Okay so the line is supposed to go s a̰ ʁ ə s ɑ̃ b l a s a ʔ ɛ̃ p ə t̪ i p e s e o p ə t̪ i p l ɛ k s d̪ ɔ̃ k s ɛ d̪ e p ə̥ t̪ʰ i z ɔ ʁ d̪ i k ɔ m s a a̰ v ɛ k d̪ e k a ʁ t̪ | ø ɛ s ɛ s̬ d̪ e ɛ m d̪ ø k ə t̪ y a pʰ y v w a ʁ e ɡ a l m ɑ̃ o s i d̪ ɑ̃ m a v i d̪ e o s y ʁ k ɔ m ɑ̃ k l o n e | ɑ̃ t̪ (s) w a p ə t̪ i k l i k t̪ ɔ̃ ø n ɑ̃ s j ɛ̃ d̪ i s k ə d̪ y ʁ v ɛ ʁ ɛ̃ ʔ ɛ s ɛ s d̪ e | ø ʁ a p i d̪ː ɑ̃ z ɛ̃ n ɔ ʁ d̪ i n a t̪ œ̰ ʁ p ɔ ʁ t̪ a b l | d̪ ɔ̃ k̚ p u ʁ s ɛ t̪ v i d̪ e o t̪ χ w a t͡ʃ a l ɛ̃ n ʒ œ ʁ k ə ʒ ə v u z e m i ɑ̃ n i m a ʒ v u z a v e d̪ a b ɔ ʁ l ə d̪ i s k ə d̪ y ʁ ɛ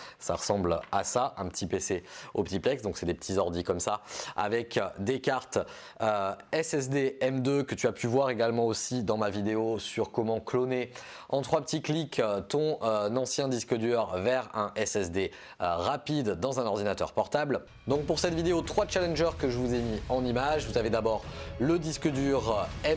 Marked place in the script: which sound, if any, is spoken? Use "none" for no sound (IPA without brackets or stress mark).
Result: χ